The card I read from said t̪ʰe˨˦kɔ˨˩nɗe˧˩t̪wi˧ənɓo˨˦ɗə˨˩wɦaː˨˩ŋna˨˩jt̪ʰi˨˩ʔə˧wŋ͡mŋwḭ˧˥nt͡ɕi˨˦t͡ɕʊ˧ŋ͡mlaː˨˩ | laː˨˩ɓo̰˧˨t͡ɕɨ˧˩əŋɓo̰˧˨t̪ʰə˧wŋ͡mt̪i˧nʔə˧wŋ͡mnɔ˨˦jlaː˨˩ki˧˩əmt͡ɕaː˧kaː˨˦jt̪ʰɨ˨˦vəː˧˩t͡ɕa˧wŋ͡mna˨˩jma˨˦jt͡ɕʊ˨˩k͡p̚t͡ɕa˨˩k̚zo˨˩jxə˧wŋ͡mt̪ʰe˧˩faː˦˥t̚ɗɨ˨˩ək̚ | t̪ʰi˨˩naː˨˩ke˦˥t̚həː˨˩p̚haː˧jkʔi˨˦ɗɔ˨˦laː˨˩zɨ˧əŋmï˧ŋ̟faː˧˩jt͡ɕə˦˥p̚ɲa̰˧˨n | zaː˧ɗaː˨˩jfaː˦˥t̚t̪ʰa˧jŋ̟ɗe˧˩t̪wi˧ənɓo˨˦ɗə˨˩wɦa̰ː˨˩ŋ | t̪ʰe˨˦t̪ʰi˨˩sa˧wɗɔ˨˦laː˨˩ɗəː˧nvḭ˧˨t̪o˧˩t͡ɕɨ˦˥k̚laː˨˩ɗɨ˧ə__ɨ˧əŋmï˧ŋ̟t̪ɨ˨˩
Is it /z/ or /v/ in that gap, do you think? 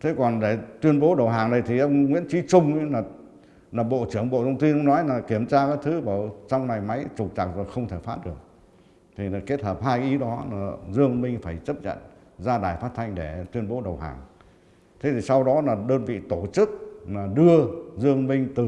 z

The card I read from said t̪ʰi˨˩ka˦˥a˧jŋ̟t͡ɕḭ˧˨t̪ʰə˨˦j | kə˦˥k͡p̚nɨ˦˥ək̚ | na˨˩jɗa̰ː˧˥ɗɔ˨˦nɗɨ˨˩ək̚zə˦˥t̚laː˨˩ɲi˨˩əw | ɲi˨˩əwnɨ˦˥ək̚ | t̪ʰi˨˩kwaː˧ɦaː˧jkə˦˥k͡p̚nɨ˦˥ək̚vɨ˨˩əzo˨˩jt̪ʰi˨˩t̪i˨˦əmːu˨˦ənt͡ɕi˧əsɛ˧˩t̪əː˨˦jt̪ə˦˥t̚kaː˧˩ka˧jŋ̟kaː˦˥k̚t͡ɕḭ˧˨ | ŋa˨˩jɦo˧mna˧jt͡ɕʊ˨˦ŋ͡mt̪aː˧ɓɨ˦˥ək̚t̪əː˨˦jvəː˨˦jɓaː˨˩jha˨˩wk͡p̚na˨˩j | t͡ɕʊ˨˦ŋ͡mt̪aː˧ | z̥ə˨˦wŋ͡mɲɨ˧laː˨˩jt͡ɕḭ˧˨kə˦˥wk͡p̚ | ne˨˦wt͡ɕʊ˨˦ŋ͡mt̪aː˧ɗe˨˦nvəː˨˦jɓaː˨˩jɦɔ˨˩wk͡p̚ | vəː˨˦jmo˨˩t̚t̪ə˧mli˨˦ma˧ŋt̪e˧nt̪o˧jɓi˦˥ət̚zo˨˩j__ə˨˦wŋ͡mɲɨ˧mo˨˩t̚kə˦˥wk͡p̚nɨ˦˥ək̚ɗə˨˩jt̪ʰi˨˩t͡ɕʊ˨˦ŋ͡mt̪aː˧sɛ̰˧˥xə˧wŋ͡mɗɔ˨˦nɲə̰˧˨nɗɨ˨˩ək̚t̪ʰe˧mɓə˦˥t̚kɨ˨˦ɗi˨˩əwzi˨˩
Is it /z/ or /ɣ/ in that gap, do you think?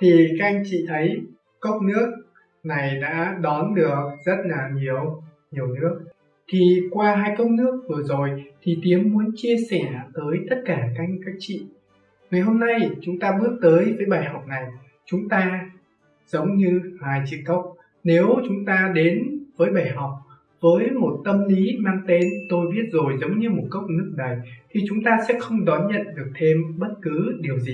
z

